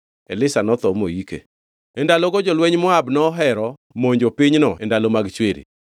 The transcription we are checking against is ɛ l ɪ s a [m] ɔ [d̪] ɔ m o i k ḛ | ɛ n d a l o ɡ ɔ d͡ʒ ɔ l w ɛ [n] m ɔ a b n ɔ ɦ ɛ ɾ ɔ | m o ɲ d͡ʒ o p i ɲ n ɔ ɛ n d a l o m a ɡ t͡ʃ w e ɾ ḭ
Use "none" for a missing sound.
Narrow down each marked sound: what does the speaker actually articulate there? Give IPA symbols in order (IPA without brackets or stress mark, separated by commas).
n, t̪, ɲ